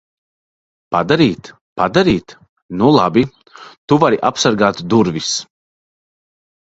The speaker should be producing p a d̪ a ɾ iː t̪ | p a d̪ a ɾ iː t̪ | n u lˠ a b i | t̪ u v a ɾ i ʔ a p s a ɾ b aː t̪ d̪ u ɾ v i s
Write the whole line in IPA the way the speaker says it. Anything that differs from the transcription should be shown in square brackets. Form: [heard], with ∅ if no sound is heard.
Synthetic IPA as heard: p a d̪ a ɾ iː t̪ | p a d̪ a ɾ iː t̪ | n u lˠ a b i | t̪ u v a ɾ i ʔ a p s a ɾ [ɡ] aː t̪ d̪ u ɾ v i s